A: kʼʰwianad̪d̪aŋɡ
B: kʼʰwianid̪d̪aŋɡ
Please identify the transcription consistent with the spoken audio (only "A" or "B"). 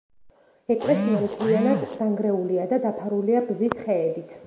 A